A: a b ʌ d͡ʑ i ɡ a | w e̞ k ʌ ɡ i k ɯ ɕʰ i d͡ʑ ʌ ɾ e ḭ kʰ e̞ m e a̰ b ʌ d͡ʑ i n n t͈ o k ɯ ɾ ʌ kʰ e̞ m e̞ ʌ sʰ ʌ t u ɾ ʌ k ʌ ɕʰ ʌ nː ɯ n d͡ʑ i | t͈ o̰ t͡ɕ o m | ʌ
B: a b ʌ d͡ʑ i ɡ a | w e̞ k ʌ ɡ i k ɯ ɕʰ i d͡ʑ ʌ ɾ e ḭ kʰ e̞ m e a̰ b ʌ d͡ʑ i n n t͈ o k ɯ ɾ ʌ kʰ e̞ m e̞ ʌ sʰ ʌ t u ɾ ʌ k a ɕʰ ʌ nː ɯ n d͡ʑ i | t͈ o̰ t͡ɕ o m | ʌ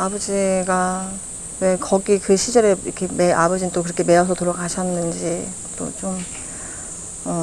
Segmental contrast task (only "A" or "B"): B